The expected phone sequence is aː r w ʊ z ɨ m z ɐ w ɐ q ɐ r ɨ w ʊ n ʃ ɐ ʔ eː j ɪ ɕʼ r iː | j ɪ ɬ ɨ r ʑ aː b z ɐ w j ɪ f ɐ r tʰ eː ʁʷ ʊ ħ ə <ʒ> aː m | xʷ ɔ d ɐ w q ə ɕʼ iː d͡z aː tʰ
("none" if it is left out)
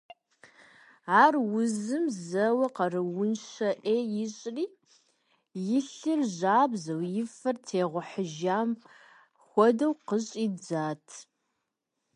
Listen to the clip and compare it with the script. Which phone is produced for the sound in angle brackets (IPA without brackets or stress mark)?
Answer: ʒ